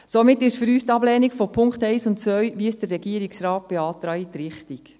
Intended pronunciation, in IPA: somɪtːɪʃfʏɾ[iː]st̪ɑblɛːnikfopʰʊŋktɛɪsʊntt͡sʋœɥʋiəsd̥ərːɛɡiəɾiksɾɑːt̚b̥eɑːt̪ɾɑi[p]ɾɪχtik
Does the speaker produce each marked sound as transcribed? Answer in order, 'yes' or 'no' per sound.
no, no

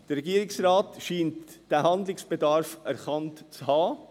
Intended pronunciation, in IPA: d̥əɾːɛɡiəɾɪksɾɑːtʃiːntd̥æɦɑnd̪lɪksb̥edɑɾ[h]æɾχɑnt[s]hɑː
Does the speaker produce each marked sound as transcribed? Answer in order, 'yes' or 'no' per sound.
no, no

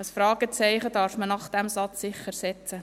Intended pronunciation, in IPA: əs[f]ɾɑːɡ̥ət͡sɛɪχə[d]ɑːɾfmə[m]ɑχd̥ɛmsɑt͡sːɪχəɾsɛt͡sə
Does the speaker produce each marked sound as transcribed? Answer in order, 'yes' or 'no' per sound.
yes, yes, no

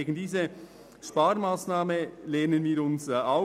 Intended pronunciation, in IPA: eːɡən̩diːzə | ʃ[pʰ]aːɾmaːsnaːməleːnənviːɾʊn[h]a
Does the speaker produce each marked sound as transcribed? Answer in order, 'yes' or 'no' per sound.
no, no

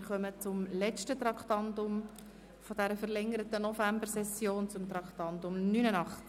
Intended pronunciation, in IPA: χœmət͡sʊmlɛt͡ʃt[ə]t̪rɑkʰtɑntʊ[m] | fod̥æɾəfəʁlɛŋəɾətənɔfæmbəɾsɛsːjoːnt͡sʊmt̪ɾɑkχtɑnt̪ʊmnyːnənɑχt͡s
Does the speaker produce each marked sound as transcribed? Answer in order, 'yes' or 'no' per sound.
yes, yes

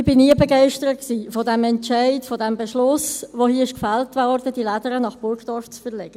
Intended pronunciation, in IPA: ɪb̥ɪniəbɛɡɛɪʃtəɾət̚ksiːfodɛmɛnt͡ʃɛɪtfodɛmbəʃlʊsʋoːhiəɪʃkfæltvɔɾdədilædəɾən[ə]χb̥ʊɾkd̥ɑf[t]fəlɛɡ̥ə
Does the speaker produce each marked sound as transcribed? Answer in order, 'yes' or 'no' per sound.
no, no

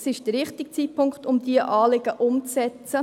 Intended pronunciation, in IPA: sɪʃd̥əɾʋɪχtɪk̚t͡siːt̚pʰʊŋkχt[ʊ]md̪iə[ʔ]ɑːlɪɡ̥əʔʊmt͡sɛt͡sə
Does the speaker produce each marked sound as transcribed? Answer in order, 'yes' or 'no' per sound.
yes, yes

